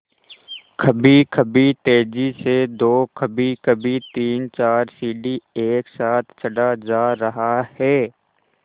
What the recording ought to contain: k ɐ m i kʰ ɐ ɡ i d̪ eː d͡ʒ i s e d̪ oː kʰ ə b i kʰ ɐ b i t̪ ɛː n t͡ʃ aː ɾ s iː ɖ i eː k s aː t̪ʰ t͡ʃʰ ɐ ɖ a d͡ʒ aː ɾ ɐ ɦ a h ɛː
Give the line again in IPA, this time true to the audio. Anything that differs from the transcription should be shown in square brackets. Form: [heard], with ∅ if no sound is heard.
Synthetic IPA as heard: [kʰ] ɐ [b] i kʰ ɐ [b] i [t̪] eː d͡ʒ i s e d̪ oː kʰ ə b i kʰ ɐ b i t̪ [iː] n t͡ʃ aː ɾ s iː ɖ i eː k s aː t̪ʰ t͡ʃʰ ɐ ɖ a d͡ʒ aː ɾ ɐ ɦ a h ɛː